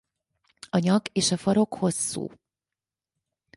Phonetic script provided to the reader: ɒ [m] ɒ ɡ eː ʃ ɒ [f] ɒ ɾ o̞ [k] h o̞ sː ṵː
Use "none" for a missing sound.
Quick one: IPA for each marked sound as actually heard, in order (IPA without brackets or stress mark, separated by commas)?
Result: ɲ, f, k